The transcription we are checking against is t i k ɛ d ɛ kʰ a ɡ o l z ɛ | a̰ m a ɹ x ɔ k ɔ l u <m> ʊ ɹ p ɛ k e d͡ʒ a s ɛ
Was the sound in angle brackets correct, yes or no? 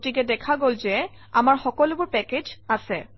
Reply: no